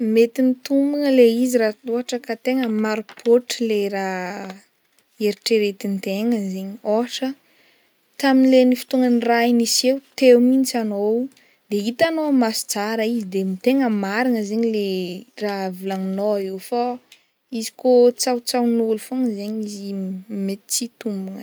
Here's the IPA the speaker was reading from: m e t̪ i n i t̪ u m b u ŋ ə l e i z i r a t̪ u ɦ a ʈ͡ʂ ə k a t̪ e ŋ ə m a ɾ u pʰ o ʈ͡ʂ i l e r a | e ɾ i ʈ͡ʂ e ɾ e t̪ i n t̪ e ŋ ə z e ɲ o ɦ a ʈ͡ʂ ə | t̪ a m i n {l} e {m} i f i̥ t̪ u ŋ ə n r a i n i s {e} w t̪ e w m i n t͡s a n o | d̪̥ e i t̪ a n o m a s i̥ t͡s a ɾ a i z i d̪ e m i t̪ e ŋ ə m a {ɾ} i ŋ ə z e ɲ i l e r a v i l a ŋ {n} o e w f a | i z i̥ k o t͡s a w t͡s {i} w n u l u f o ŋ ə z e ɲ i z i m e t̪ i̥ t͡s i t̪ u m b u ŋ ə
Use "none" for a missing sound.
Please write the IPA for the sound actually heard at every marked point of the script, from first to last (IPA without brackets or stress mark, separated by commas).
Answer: l, n, e, ɾ, n, a